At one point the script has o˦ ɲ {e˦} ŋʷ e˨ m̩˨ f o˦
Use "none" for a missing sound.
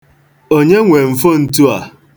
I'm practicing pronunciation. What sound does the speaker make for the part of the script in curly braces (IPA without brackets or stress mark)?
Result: e˦